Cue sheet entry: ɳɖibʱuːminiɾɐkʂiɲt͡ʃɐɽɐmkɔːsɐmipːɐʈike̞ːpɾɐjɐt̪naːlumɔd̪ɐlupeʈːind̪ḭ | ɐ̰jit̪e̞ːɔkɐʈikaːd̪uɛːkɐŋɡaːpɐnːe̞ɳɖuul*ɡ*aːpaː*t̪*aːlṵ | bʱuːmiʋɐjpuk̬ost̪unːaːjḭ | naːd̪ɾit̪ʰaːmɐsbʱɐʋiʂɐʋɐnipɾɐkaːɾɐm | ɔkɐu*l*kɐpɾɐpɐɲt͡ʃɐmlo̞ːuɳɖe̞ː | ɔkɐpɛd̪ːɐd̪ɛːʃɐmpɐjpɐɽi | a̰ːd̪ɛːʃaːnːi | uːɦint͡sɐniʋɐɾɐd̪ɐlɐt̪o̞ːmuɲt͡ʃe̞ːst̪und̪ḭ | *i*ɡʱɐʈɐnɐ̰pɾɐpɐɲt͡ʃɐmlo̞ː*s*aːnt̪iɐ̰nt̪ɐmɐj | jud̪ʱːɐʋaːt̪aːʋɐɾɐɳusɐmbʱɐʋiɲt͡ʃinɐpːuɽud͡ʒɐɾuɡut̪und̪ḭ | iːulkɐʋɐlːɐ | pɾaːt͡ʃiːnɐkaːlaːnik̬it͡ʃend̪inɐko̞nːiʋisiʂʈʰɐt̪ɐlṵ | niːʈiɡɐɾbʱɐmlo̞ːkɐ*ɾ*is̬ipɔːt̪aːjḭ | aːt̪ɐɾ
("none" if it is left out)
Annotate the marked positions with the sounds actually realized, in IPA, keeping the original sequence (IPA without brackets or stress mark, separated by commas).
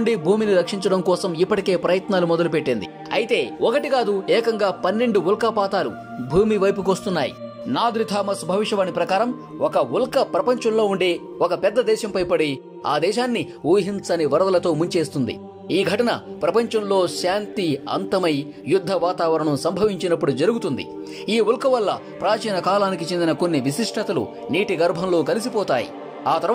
k, t̪, l, iː, ʃ, l